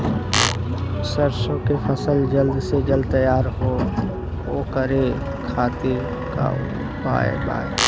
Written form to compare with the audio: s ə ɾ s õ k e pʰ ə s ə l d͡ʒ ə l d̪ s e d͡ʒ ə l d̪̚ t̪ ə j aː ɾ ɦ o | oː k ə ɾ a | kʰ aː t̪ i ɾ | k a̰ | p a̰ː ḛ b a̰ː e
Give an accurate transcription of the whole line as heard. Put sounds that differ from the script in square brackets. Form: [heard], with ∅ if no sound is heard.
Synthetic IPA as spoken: s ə ɾ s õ k e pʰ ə s ə l d͡ʒ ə l d̪ s e d͡ʒ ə l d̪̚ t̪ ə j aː ɾ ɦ o | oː k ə ɾ [e] | kʰ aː t̪ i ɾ | k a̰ | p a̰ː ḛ b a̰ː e